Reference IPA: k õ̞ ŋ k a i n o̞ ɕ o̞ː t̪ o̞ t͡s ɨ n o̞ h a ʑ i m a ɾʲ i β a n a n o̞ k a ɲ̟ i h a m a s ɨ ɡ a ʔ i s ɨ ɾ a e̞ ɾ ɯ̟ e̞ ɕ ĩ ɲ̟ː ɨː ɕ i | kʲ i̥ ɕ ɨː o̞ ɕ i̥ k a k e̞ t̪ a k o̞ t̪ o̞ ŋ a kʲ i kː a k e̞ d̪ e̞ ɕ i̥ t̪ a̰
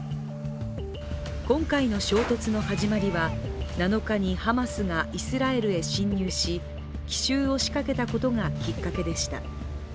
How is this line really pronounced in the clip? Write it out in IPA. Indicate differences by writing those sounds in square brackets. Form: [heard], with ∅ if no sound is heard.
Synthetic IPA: k õ̞ ŋ k a i n o̞ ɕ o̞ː t̪ o̞ t͡s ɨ n o̞ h a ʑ i m a ɾʲ i β a n a n o̞ k a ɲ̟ i h a m a s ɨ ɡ a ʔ i s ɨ ɾ a e̞ ɾ ɯ̟ e̞ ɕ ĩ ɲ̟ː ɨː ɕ i | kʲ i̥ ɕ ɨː o̞ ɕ i̥ k a k e̞ t̪ a k o̞ t̪ o̞ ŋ a kʲ i kː a k e̞ d̪ e̞ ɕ i̥ t̪ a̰